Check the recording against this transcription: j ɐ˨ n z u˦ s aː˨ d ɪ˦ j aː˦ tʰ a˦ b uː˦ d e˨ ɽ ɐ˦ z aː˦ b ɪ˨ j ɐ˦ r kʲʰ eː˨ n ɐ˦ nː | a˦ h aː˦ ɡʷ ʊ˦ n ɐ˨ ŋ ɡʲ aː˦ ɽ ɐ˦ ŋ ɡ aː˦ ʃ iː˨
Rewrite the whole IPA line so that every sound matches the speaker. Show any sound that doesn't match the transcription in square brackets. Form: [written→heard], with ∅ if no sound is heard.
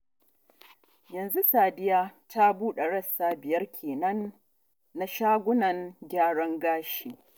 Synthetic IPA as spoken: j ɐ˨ n z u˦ s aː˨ d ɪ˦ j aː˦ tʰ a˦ b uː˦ [d→ɗ] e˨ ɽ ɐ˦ [z→s] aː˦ b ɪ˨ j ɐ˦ r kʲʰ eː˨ n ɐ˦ nː | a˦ [h→ʃ] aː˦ ɡʷ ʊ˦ n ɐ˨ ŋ ɡʲ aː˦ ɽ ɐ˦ ŋ ɡ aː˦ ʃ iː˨